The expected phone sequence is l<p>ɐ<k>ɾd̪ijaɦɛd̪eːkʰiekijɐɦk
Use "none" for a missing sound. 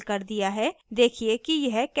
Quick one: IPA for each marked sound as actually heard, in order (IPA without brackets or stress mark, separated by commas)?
k, none